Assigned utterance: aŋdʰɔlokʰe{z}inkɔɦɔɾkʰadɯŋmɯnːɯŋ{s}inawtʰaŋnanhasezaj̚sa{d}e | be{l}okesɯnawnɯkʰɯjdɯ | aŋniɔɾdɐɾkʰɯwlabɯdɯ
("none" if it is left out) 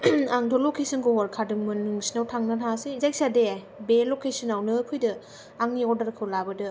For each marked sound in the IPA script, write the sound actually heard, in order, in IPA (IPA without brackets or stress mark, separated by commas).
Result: s, s, d, l